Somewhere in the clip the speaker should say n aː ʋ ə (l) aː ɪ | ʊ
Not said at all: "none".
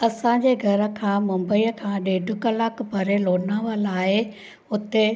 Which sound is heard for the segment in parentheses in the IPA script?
l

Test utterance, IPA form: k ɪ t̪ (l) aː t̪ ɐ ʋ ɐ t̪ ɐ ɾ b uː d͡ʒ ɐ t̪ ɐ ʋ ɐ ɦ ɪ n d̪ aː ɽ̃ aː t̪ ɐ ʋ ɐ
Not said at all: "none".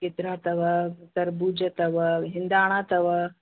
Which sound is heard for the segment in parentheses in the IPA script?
ɾ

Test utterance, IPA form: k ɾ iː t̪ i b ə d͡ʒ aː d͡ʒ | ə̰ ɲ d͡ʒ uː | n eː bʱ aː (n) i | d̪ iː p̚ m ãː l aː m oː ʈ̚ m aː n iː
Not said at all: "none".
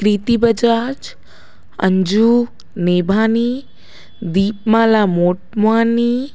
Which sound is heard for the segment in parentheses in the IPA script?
n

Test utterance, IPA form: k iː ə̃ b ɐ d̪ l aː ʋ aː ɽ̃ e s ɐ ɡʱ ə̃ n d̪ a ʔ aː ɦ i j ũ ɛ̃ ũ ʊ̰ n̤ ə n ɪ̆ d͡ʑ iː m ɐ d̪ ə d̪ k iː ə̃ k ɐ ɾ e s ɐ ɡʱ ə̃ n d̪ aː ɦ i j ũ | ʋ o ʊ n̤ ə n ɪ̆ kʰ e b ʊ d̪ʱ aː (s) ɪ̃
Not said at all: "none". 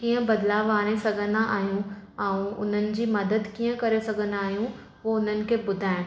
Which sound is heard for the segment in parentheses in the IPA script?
none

